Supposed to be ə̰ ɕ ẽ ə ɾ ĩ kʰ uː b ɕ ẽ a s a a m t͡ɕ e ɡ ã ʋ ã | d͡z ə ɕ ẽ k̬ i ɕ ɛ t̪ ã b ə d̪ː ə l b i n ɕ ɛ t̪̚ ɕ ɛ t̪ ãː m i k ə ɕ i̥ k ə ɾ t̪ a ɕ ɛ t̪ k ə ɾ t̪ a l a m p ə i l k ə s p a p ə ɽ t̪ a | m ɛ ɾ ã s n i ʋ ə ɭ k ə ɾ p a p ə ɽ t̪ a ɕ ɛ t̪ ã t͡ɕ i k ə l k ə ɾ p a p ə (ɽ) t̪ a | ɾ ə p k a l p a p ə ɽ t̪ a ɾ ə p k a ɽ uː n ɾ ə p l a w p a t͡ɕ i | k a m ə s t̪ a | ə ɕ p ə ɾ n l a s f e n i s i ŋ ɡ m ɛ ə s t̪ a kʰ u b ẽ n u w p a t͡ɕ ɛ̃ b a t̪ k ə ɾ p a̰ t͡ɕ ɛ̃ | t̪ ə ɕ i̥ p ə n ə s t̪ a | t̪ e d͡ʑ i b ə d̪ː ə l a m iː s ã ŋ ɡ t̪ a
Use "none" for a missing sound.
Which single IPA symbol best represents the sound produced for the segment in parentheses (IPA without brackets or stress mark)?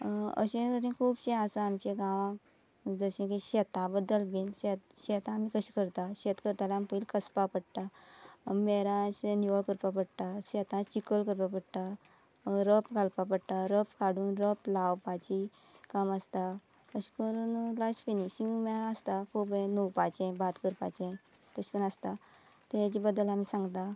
ɽ